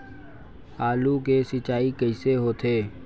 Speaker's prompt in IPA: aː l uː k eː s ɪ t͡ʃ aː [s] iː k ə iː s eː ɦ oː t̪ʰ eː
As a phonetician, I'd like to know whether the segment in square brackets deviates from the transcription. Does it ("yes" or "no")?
yes